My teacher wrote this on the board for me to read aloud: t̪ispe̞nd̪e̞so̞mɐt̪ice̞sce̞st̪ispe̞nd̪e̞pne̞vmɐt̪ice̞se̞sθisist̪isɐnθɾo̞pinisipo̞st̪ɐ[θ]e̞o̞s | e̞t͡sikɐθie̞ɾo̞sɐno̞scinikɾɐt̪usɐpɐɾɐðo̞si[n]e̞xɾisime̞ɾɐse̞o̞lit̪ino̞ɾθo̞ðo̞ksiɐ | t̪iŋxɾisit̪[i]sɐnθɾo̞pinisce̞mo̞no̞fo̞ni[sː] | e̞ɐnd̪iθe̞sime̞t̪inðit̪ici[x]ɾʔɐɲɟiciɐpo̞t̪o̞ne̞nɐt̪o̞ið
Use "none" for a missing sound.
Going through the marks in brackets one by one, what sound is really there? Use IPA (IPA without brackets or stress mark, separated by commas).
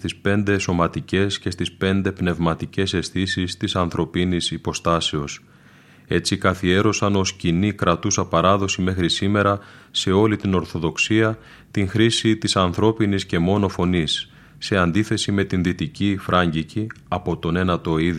s, m, i, sː, f